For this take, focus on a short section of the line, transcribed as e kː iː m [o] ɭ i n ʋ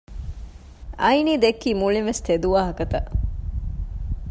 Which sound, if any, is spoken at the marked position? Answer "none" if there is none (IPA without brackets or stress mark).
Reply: u